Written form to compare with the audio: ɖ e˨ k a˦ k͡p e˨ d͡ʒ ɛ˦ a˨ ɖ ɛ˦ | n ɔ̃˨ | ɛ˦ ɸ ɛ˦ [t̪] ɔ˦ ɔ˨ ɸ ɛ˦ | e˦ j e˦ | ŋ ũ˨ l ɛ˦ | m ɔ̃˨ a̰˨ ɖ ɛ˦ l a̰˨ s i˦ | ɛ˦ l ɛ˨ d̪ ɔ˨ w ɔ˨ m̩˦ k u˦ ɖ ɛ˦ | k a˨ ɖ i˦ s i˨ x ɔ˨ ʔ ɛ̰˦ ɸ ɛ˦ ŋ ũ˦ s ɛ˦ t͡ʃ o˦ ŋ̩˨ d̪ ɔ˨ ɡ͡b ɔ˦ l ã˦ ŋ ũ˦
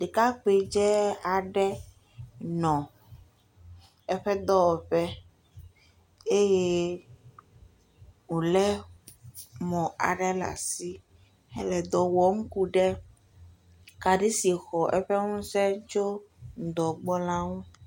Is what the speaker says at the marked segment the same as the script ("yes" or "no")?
no